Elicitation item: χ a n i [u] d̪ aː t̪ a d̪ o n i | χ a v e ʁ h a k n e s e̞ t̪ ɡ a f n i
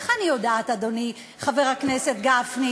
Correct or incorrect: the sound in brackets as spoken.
incorrect: o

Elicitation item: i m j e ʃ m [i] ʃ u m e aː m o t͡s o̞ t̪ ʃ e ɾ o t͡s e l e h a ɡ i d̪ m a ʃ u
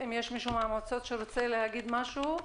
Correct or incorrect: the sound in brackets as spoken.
correct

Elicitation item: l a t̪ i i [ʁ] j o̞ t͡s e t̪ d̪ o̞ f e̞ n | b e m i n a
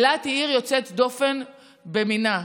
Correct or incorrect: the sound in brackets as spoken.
correct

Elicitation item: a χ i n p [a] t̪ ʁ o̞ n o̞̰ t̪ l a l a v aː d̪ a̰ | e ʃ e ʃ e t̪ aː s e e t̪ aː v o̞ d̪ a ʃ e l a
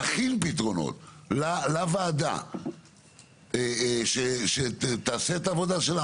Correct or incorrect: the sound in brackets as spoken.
incorrect: i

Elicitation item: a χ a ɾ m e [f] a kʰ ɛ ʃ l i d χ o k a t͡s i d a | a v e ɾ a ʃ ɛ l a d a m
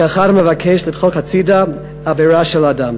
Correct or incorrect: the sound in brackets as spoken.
incorrect: v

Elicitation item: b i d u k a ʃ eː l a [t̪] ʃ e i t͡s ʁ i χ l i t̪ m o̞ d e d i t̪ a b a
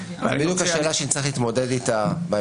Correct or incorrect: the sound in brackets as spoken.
incorrect: none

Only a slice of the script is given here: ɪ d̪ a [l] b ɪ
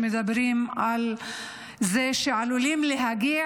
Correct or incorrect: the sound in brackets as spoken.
incorrect: none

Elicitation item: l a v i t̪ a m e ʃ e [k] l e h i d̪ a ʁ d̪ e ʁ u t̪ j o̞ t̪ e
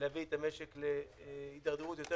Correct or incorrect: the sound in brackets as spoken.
correct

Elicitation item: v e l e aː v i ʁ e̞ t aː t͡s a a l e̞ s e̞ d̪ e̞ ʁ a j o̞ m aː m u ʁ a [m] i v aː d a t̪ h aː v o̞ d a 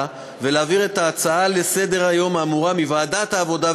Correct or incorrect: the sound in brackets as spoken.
correct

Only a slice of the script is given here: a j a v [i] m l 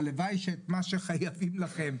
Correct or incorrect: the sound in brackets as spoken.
correct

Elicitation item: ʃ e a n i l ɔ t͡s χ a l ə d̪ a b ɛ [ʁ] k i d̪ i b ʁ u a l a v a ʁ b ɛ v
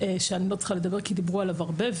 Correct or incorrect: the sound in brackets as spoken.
correct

